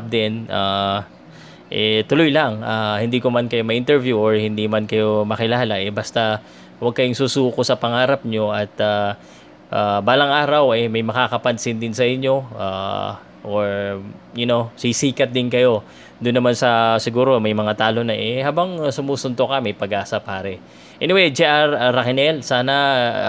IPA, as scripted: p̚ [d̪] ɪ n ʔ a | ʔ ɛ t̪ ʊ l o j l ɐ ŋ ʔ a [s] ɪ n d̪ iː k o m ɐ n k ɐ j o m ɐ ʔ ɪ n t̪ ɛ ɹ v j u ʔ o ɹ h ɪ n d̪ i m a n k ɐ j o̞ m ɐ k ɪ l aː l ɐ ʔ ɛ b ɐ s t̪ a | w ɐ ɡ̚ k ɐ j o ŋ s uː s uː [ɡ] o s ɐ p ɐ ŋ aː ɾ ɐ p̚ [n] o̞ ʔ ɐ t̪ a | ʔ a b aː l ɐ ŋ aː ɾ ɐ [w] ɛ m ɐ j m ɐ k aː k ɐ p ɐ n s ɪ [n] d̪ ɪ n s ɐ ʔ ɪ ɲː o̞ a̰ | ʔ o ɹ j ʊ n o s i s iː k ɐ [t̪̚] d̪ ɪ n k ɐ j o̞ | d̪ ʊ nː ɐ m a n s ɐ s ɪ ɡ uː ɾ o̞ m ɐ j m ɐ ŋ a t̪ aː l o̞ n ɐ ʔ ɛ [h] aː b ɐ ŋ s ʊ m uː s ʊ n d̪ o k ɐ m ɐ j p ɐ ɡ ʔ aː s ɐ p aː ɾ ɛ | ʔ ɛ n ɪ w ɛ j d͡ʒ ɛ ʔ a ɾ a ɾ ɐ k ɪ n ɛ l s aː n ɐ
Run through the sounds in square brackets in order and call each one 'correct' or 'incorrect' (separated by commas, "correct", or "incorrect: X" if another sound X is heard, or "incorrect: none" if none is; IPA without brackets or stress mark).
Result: correct, incorrect: h, incorrect: k, incorrect: ɲ, correct, correct, correct, correct